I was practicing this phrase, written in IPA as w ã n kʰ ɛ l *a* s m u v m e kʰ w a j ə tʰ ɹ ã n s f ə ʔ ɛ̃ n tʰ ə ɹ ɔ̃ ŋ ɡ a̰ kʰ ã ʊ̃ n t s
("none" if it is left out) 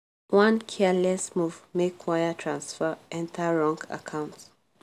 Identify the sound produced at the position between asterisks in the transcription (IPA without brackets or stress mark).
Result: ɛ